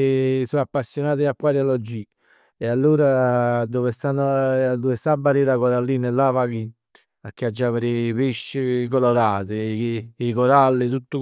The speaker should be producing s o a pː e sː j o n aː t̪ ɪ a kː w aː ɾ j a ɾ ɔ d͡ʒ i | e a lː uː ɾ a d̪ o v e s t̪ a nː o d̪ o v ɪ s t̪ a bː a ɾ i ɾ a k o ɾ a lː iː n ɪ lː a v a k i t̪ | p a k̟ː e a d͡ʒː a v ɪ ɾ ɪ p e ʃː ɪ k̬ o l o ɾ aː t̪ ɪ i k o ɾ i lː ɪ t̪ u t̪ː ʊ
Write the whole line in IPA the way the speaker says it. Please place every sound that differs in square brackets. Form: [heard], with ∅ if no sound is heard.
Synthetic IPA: s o a pː [a] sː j o n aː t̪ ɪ a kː w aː ɾ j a [l] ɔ d͡ʒ i | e a lː uː ɾ a d̪ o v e s t̪ a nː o d̪ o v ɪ s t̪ a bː a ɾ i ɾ a k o ɾ a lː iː n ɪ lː a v a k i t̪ | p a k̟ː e a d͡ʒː a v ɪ ɾ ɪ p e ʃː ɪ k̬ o l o ɾ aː t̪ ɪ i k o ɾ [a] lː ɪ t̪ u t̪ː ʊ